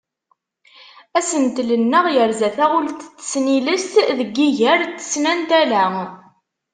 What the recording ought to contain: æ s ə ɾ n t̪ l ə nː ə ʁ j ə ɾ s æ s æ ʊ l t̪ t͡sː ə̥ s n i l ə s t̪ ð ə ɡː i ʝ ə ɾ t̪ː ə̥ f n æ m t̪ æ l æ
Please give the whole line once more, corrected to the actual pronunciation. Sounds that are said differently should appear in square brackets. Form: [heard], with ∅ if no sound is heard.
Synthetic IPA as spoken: æ s ə [∅] n t̪ l ə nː ə ʁ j ə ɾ [z] æ [θ] æ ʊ l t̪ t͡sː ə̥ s n i l ə s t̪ ð ə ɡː i ʝ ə ɾ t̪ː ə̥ [s] n æ [n] t̪ æ l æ